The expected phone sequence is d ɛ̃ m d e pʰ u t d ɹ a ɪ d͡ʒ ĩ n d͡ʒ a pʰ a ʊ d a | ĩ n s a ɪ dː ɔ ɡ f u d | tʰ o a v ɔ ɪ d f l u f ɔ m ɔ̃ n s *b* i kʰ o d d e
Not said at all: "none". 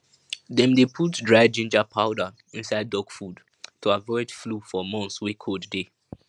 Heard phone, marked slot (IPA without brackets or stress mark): w